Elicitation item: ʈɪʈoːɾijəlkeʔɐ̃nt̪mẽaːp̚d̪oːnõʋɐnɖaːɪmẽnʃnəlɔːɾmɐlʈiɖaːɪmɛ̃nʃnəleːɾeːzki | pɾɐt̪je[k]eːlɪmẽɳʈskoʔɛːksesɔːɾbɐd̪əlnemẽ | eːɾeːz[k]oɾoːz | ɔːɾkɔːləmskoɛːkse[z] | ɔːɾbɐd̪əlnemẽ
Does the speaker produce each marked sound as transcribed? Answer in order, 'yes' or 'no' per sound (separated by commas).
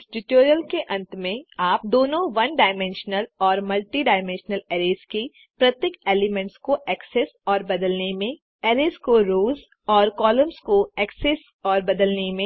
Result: yes, yes, no